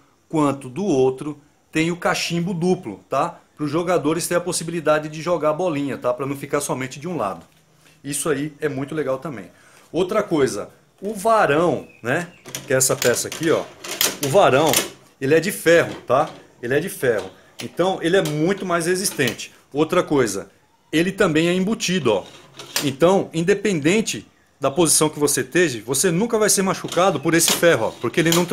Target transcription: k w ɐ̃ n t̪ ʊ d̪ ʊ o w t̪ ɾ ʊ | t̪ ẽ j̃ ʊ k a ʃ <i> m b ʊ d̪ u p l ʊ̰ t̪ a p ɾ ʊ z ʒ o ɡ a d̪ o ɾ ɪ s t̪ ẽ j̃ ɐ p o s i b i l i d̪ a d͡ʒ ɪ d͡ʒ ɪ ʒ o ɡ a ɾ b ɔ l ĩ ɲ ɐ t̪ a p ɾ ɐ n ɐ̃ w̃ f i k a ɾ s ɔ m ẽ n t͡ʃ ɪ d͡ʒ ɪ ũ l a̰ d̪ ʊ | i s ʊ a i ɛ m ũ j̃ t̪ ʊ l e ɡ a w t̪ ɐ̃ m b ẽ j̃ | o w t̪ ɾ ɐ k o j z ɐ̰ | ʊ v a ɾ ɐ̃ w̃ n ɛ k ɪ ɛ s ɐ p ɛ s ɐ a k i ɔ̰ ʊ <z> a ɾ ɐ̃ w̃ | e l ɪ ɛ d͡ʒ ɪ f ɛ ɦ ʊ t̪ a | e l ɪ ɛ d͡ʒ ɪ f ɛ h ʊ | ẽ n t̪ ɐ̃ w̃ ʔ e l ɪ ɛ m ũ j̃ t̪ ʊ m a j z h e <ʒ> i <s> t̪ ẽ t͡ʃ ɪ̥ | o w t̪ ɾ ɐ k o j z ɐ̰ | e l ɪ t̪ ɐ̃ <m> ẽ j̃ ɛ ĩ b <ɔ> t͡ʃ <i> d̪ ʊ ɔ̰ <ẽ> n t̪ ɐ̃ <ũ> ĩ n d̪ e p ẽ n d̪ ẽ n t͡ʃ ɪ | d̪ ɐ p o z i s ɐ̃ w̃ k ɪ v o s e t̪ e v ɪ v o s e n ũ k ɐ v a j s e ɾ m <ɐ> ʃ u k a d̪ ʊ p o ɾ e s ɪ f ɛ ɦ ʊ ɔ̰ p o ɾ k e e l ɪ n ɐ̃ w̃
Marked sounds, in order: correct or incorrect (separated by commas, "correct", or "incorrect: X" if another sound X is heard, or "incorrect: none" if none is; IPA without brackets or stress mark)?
incorrect: ĩ, incorrect: v, incorrect: z, correct, incorrect: b, incorrect: u, correct, correct, incorrect: w̃, incorrect: a